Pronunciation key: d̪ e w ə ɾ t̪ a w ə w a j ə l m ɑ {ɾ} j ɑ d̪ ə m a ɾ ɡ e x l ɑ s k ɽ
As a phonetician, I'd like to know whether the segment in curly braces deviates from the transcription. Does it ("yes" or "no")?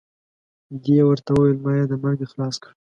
yes